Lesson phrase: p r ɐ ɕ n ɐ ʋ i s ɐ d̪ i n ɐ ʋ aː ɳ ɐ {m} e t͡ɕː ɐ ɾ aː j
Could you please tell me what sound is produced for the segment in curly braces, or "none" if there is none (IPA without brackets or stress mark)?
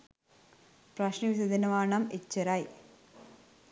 m